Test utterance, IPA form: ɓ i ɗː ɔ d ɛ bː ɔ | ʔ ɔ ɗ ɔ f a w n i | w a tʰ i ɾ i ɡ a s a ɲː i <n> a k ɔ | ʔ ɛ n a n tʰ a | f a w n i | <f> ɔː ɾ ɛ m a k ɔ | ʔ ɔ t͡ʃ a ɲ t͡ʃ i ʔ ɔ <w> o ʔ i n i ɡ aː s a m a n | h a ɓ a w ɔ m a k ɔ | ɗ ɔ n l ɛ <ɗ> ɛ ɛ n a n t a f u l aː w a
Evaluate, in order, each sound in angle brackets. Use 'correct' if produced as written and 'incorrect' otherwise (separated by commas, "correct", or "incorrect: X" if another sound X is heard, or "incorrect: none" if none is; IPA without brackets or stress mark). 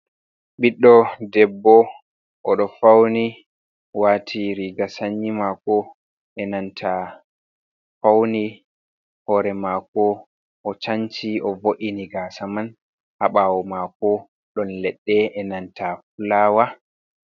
incorrect: m, incorrect: h, incorrect: v, incorrect: ɗː